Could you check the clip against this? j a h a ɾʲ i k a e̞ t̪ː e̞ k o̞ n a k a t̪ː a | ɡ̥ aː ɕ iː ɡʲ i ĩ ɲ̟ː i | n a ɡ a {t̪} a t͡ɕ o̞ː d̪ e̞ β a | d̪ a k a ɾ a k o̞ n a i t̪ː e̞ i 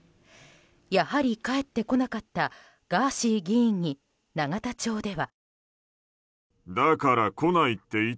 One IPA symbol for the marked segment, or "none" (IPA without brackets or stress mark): t̪